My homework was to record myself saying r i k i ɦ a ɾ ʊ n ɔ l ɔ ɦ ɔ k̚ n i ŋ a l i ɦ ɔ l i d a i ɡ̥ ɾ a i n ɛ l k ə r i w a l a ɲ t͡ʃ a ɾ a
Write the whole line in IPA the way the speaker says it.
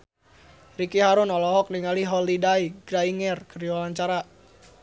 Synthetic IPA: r i k i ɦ a ɾ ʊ n ɔ l ɔ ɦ ɔ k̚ n i ŋ a l i ɦ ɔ l i d a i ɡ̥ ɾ a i ŋ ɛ r k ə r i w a l a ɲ t͡ʃ a ɾ a